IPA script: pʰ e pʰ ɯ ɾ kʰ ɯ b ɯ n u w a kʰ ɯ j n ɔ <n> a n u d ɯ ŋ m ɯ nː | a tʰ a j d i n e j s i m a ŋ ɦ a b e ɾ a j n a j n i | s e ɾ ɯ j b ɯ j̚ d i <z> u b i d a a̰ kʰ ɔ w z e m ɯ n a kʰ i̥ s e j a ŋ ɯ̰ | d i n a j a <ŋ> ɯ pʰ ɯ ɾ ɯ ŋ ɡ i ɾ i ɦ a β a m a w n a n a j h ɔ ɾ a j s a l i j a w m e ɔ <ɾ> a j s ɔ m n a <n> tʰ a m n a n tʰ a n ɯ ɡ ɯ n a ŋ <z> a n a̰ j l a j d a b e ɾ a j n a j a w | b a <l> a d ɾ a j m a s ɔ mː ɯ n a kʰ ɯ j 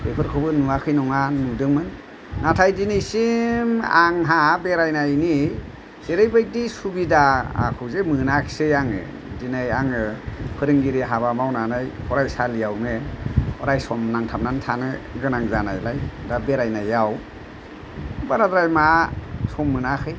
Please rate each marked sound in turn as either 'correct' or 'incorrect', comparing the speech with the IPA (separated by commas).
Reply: incorrect, incorrect, correct, correct, incorrect, correct, incorrect